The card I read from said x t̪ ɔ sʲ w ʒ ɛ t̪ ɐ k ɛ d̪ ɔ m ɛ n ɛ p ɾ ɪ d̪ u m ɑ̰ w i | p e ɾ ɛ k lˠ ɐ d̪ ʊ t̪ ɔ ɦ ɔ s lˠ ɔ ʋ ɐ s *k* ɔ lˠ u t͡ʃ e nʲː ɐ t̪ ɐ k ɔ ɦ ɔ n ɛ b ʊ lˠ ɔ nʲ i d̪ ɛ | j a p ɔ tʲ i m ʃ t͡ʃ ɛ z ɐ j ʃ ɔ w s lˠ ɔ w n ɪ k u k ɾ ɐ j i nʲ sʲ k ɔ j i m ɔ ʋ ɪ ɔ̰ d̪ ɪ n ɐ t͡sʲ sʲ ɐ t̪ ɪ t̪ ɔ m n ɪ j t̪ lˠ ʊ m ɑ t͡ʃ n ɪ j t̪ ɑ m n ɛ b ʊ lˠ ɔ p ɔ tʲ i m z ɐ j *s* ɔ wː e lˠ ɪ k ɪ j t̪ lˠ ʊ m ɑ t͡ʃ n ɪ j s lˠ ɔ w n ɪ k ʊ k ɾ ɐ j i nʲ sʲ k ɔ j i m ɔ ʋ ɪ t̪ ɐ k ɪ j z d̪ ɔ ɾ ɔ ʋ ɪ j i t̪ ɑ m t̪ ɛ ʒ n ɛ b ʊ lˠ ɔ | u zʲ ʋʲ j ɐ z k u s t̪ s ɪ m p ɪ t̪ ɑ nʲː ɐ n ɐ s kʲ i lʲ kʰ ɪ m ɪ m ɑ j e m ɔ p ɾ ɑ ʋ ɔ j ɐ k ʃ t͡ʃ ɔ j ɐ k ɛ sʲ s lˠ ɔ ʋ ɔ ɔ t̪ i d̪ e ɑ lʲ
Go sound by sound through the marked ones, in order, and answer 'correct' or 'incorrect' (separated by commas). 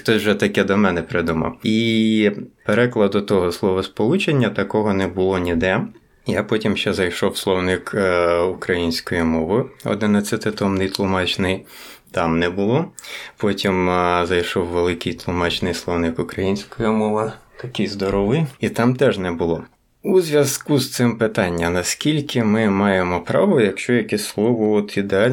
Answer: incorrect, incorrect